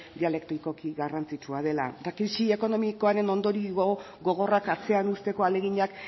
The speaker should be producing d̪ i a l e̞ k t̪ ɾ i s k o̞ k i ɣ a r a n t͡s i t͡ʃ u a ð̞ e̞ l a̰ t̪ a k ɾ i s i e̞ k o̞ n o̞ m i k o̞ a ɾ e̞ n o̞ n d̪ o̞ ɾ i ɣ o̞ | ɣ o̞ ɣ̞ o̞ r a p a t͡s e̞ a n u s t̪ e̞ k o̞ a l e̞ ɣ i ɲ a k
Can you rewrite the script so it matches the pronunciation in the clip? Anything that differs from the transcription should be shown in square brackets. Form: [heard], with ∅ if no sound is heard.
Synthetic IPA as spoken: d̪ i a l e̞ k t̪ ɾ i [∅] k o̞ k i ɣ a r a n t͡s i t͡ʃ u a ð̞ e̞ l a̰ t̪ a k ɾ i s i e̞ k o̞ n o̞ m i k o̞ a ɾ e̞ n o̞ n d̪ o̞ ɾ i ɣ o̞ | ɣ o̞ ɣ̞ o̞ r a [k] a t͡s e̞ a n u s t̪ e̞ k o̞ a l e̞ ɣ i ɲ a k